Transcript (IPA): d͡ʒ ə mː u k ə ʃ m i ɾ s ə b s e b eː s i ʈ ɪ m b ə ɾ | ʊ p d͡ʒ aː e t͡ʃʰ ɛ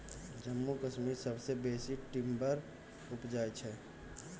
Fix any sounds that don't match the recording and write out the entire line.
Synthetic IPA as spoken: d͡ʒ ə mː u k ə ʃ m i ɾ s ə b s e b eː s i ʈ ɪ m b ə ɾ | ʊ p d͡ʒ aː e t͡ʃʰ ɛ

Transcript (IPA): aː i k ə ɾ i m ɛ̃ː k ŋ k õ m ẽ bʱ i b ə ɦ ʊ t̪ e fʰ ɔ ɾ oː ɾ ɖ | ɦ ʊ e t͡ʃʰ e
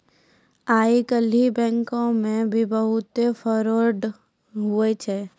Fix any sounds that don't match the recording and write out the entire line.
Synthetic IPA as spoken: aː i k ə l i b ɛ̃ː ŋ k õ m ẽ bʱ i b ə ɦ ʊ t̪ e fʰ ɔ ɾ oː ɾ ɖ | ɦ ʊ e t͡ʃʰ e

